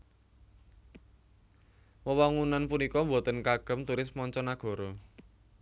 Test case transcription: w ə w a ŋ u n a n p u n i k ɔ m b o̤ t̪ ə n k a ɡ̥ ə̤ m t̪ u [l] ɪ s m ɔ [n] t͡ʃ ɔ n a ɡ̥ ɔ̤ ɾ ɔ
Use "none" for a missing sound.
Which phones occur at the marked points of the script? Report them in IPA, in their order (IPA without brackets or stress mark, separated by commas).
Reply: ɾ, ɲ